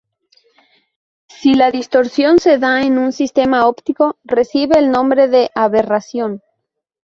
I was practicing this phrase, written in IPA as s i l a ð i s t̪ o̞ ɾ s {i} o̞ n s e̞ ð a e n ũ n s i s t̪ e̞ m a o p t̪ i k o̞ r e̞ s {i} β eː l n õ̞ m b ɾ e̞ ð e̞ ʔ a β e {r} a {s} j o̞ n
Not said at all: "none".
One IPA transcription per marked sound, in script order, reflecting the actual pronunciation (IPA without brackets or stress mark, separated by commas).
j, i, r, s